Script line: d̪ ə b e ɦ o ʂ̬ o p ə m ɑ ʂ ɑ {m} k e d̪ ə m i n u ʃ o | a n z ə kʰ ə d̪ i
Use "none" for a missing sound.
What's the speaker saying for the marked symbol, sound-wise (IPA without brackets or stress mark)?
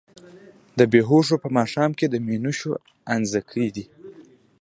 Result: m